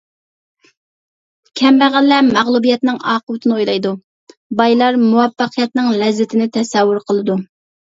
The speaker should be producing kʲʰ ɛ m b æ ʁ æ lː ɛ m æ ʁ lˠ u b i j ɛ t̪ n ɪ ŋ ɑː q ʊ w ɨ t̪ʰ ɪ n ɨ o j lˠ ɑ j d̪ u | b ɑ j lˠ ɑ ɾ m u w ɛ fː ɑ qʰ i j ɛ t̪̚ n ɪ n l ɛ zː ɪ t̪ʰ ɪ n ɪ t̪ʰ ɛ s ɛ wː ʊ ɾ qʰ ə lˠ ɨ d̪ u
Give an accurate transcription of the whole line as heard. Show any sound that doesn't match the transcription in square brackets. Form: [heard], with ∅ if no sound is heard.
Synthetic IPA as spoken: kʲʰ ɛ m b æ ʁ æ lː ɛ m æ ʁ lˠ u b i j ɛ t̪ n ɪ ŋ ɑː q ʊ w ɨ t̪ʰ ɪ n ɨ o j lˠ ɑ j d̪ u | b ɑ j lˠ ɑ ɾ m u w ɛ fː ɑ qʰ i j ɛ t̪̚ n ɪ [ŋ] l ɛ zː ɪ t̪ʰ ɪ n ɪ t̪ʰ ɛ s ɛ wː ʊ ɾ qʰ ə lˠ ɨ d̪ u

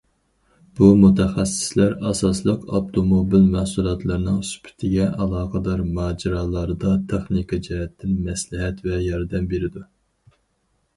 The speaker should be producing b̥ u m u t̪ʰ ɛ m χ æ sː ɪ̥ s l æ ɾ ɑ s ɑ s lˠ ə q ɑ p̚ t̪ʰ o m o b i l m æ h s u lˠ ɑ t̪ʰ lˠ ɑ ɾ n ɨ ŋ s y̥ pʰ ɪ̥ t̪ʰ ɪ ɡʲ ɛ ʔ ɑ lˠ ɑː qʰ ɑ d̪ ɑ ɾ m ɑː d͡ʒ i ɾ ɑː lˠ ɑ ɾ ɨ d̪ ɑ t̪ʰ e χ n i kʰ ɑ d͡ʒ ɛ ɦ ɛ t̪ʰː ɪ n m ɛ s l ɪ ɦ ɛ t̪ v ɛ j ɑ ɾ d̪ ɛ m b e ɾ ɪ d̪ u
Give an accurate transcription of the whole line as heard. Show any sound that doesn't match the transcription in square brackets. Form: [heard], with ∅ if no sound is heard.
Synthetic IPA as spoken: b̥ u m u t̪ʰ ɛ [∅] χ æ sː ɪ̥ s l æ ɾ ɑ s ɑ s lˠ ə q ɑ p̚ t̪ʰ o m o b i l m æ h s u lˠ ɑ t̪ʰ lˠ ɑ ɾ n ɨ ŋ s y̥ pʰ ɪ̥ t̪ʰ ɪ ɡʲ ɛ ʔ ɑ lˠ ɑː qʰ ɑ d̪ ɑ ɾ m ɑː d͡ʒ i ɾ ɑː lˠ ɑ ɾ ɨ d̪ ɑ t̪ʰ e χ n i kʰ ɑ d͡ʒ ɛ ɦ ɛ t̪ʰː ɪ n m ɛ s l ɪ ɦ ɛ t̪ v ɛ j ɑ ɾ d̪ ɛ m b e ɾ ɪ d̪ u

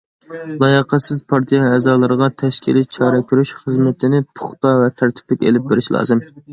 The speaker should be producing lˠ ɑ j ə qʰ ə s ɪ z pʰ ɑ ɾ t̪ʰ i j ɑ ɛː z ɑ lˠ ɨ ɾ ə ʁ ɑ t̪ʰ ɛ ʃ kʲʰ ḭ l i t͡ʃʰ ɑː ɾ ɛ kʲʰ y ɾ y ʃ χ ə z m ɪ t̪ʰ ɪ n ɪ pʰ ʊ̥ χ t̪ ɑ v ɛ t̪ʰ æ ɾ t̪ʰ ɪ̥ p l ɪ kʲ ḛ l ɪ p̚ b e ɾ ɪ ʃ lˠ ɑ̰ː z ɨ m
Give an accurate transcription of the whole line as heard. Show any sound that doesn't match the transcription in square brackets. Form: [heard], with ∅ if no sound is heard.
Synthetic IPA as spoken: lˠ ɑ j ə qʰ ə s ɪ z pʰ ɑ ɾ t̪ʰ i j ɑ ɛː z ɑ lˠ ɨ ɾ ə ʁ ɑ t̪ʰ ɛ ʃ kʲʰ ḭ l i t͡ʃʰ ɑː ɾ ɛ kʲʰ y ɾ y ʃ χ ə z m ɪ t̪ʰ ɪ n ɪ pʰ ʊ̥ χ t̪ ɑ v ɛ t̪ʰ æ ɾ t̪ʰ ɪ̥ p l ɪ kʲ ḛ l ɪ p̚ b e ɾ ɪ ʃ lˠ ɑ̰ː z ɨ m

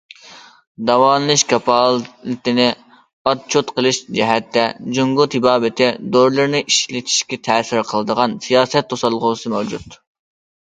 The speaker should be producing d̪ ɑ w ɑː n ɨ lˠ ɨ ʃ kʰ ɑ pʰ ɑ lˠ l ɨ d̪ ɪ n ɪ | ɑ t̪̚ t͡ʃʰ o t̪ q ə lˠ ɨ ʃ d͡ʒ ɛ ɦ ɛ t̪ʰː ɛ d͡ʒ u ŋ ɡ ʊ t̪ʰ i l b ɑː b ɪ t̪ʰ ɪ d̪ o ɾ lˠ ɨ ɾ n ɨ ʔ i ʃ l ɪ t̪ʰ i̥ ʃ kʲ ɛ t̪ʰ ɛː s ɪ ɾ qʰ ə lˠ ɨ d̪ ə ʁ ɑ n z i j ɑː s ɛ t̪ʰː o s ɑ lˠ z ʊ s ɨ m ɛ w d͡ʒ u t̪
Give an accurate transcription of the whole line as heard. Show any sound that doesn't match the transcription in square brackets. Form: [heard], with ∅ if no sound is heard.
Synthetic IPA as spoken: d̪ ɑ w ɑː n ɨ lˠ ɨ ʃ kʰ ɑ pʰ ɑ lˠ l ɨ [t̪] ɪ n ɪ | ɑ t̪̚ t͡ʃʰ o t̪ q ə lˠ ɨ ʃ d͡ʒ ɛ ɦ ɛ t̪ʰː ɛ d͡ʒ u ŋ ɡ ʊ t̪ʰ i [∅] b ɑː b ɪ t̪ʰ ɪ d̪ o ɾ lˠ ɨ ɾ n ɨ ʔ i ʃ l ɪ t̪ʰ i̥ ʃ kʲ ɛ t̪ʰ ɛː s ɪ ɾ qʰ ə lˠ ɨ d̪ ə ʁ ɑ n [s] i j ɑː s ɛ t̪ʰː o s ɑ lˠ [ʁ] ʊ s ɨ m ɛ w d͡ʒ u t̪

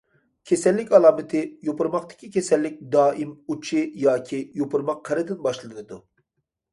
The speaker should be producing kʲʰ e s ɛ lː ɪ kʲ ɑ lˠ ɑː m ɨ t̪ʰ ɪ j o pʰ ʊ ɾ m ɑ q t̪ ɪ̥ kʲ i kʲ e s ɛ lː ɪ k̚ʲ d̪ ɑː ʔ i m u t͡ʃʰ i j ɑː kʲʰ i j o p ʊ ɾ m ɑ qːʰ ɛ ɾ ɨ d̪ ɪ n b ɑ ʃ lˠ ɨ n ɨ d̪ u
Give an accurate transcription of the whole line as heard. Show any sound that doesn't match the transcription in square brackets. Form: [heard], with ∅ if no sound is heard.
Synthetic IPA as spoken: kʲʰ e s ɛ lː ɪ kʲ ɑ lˠ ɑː m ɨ t̪ʰ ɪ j o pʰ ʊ ɾ m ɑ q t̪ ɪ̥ kʲ i kʲ e s ɛ lː ɪ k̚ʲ d̪ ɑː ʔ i m u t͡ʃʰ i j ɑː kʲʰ i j o p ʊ ɾ m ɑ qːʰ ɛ ɾ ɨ d̪ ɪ n b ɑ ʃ lˠ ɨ n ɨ d̪ u

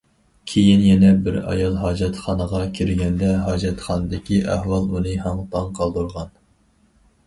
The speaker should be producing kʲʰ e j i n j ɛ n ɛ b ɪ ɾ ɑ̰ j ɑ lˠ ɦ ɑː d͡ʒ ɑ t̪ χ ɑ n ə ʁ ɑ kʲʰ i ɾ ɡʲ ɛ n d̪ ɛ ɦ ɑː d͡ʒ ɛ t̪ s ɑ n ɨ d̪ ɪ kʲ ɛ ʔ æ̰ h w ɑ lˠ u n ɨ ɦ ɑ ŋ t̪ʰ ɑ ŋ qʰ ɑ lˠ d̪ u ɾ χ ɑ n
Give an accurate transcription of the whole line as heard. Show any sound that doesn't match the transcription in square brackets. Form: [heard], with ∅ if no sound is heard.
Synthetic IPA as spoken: kʲʰ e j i n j ɛ n ɛ b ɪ ɾ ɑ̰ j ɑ lˠ ɦ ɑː d͡ʒ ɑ t̪ χ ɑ n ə ʁ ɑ kʲʰ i ɾ ɡʲ ɛ n d̪ ɛ ɦ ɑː d͡ʒ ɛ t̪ [χ] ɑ n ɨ d̪ ɪ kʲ [i] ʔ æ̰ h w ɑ lˠ u n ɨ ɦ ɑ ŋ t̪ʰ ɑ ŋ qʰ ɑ lˠ d̪ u ɾ [ʁ] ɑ n

